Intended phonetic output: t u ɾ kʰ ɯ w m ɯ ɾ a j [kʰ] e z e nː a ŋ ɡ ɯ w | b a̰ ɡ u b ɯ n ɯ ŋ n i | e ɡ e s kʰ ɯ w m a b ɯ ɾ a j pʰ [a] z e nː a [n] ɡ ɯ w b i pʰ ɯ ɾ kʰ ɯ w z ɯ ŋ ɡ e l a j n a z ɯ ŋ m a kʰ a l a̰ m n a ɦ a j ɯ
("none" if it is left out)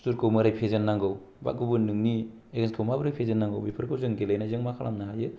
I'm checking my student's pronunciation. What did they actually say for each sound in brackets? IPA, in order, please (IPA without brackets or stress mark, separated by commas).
pʰ, e, ŋ